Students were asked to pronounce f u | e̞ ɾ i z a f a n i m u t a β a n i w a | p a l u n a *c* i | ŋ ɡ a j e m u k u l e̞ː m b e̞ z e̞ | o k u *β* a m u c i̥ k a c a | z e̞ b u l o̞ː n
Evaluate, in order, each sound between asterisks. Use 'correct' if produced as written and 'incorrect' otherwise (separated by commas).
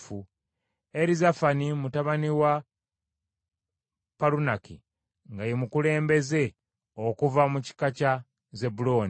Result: incorrect, incorrect